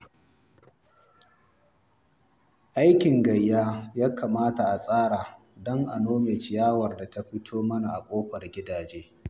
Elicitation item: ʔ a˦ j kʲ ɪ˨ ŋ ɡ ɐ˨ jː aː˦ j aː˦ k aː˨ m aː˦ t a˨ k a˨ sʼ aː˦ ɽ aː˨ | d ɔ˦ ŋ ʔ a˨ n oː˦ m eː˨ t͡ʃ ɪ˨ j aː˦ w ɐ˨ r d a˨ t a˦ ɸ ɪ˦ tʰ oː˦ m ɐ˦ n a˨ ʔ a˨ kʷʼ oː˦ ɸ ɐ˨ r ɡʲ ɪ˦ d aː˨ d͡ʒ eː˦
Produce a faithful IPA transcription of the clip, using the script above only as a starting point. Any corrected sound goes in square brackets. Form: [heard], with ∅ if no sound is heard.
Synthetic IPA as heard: ʔ a˦ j kʲ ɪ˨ ŋ ɡ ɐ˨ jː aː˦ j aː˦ k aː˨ m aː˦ t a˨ [ʔ] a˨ sʼ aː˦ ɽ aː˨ | d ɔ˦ ŋ ʔ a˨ n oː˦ m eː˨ t͡ʃ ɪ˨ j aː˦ w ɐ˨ r d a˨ t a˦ ɸ ɪ˦ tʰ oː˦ m ɐ˦ n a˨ ʔ a˨ kʷʼ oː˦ ɸ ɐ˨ r ɡʲ ɪ˦ d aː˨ d͡ʒ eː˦